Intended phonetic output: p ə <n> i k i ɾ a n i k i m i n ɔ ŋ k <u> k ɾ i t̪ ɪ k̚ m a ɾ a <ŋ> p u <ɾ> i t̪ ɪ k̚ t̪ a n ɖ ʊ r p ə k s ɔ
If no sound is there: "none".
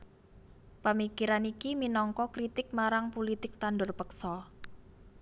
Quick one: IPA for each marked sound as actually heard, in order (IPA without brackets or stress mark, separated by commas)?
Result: m, ɔ, ŋ, l